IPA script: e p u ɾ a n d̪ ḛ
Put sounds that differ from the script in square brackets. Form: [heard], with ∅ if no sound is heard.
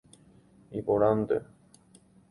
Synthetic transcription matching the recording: [i] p [o] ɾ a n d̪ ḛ